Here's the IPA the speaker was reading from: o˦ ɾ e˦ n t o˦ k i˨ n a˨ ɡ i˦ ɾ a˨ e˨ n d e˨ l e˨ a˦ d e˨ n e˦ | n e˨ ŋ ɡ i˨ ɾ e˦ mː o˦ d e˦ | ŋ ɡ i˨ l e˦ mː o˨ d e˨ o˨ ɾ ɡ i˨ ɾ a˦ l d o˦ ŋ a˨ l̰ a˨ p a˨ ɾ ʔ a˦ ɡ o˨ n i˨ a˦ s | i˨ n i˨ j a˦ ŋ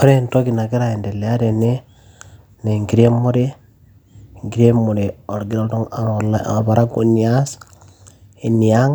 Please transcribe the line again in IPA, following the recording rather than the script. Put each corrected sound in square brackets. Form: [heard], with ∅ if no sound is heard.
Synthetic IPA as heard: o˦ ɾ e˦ n t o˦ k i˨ n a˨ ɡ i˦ ɾ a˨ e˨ n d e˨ l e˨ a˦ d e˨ n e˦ | n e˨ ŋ ɡ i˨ ɾ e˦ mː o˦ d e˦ | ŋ ɡ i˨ [ɾ] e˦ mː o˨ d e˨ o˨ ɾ ɡ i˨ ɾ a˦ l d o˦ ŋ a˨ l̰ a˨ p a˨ ɾ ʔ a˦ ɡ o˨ n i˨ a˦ s | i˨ n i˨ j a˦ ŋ